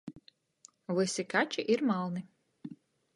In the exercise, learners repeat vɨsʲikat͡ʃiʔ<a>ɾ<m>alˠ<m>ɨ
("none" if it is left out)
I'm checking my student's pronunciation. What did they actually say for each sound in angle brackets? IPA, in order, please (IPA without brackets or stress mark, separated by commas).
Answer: i, m, n